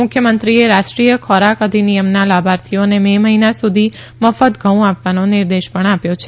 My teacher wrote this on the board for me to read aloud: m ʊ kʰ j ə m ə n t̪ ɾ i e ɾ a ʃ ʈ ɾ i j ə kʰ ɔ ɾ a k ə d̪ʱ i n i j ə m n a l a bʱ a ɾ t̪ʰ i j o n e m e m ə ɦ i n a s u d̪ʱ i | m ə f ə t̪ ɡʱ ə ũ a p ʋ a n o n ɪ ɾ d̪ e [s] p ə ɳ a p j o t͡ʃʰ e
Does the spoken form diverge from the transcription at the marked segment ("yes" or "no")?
yes